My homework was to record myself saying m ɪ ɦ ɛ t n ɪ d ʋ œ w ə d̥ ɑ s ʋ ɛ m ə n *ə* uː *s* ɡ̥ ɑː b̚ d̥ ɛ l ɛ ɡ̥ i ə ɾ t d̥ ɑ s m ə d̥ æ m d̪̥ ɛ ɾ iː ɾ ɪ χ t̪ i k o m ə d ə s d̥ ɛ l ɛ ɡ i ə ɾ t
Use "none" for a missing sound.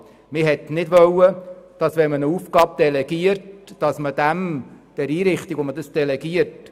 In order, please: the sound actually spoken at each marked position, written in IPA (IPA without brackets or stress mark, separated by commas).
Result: ə, f